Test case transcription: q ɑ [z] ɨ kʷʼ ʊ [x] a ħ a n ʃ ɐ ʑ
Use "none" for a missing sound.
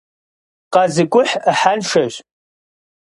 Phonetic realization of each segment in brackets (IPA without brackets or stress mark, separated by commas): z, ħ